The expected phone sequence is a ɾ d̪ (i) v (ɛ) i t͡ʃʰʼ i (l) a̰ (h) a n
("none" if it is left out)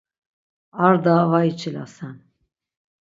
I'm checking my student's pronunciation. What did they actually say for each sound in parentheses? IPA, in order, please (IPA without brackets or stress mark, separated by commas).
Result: a, a, l, s